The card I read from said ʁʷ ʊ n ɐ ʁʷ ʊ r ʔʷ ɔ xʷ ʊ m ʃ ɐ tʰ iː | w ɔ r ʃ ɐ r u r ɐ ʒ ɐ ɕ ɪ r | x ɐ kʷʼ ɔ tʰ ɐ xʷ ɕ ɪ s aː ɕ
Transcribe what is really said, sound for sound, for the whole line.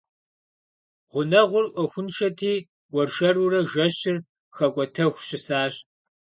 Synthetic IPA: ʁʷ ʊ n ɐ ʁʷ ʊ r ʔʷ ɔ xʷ ʊ n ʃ ɐ tʰ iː | w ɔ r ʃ ɐ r u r ɐ ʒ ɐ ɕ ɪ r | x ɐ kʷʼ ɔ tʰ ɐ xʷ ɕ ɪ s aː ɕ